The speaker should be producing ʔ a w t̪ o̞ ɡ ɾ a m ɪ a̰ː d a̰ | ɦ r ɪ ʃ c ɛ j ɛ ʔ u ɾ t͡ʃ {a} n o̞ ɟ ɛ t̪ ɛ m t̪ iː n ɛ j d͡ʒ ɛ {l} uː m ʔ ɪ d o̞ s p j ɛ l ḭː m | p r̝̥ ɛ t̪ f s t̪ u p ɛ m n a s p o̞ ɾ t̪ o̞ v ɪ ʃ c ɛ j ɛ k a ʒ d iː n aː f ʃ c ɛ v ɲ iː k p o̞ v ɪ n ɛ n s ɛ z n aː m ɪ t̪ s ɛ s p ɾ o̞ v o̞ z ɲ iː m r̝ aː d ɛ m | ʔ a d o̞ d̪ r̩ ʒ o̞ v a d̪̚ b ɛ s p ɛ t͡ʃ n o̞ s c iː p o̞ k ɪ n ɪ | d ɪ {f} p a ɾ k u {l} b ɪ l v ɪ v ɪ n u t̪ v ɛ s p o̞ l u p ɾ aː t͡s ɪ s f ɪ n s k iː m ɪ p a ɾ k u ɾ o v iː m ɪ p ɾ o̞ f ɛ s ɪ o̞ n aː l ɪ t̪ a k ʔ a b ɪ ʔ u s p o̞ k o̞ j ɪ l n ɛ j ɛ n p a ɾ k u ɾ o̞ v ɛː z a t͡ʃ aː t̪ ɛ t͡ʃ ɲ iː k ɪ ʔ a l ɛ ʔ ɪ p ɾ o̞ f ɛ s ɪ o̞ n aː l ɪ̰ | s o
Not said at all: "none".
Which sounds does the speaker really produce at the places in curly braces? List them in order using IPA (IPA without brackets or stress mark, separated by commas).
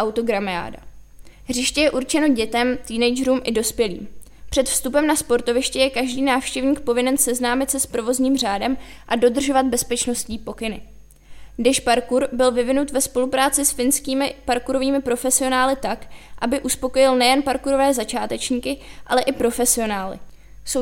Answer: ɛ, ɾ, ʃ, ɾ